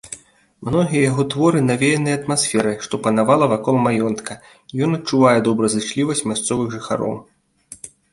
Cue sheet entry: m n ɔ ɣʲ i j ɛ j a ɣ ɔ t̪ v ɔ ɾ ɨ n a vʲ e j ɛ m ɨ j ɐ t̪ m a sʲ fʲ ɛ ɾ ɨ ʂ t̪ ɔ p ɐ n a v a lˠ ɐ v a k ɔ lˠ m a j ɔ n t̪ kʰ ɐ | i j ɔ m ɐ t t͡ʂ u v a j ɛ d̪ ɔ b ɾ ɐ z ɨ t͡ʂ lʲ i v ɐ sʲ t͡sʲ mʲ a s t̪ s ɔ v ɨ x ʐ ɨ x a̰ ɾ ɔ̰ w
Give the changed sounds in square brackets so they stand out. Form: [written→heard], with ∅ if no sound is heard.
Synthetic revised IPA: m n ɔ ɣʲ i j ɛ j a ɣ ɔ t̪ v ɔ ɾ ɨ n a vʲ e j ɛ [m→n] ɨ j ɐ t̪ m a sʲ fʲ ɛ ɾ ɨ ʂ t̪ ɔ p ɐ n a v a lˠ ɐ v a k ɔ lˠ m a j ɔ n t̪ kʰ ɐ | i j ɔ [m→n] ɐ t t͡ʂ u v a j ɛ d̪ ɔ b ɾ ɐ z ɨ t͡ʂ lʲ i v ɐ sʲ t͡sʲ mʲ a s t̪ s ɔ v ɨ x ʐ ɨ x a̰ ɾ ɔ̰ w

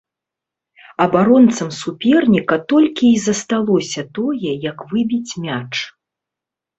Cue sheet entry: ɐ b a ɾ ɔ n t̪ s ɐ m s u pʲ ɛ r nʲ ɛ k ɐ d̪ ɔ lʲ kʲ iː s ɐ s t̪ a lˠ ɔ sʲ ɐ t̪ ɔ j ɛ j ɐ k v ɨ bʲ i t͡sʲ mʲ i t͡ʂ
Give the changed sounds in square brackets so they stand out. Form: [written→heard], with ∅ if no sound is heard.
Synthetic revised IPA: ɐ b a ɾ ɔ n t̪ s ɐ m s u pʲ ɛ r nʲ [ɛ→i] k ɐ [d̪→t̪] ɔ lʲ kʲ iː [s→z] ɐ s t̪ a lˠ ɔ sʲ ɐ t̪ ɔ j ɛ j ɐ k v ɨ bʲ i t͡sʲ mʲ [i→a] t͡ʂ

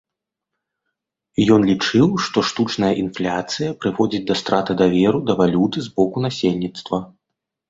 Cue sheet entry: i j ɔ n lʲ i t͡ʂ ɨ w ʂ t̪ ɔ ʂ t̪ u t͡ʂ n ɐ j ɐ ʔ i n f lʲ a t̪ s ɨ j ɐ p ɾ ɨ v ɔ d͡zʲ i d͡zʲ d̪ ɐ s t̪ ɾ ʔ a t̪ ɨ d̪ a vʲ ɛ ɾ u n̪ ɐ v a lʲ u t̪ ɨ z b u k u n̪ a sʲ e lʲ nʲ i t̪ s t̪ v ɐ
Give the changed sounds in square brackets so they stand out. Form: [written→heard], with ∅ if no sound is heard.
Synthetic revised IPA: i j ɔ n lʲ i t͡ʂ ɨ w ʂ t̪ ɔ ʂ t̪ u t͡ʂ n ɐ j ɐ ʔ i n f lʲ a t̪ s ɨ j ɐ p ɾ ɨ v ɔ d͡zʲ i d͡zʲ d̪ ɐ s t̪ ɾ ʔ a t̪ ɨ d̪ a vʲ ɛ ɾ u [n̪→d̪] ɐ v a lʲ u t̪ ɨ z b [u→ɔ] k u n̪ a sʲ e lʲ nʲ i t̪ s t̪ v ɐ

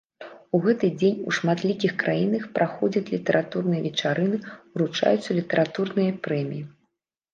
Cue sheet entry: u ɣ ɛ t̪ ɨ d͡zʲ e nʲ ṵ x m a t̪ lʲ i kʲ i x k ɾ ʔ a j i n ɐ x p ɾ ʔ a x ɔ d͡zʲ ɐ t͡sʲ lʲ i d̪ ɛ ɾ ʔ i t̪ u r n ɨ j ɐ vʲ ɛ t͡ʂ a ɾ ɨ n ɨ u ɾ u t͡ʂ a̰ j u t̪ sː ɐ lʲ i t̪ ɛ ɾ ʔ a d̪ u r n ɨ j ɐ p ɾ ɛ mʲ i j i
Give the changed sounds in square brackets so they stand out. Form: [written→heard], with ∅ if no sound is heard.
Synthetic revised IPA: u ɣ ɛ t̪ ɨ d͡zʲ e nʲ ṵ [x→ʂ] m a t̪ lʲ i kʲ i x k ɾ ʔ a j i n ɐ x p ɾ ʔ a x ɔ d͡zʲ ɐ t͡sʲ lʲ i [d̪→t̪] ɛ ɾ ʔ [i→a] t̪ u r n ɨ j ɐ vʲ ɛ t͡ʂ a ɾ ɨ n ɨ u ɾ u t͡ʂ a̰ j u t̪ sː ɐ lʲ i t̪ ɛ ɾ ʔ a [d̪→t̪] u r n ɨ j ɐ p ɾ ɛ mʲ i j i

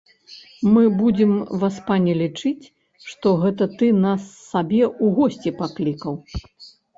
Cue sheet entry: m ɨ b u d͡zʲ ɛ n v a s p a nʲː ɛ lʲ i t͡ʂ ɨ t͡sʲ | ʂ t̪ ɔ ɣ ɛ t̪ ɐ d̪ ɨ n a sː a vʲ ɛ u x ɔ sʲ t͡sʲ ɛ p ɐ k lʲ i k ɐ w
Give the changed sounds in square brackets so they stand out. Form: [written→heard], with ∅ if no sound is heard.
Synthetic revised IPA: m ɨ b u d͡zʲ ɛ [n→m] v a s p a [nʲː→nʲ] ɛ lʲ i t͡ʂ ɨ t͡sʲ | ʂ t̪ ɔ ɣ ɛ t̪ ɐ [d̪→t̪] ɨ n a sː a [vʲ→bʲ] ɛ u [x→ɣ] ɔ sʲ t͡sʲ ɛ p [ɐ→a] k lʲ i k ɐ w

